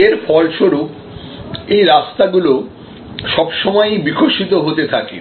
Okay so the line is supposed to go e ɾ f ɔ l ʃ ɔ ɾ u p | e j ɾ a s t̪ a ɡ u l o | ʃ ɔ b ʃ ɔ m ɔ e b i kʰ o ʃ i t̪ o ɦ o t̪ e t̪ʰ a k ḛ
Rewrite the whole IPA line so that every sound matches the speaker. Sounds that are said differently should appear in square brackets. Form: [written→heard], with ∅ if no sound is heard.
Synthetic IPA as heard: e ɾ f ɔ l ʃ [ɔ→o] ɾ u p | e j ɾ a s t̪ a ɡ u l o | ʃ ɔ b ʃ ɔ m ɔ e b i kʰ o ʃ i t̪ o ɦ o t̪ e t̪ʰ a k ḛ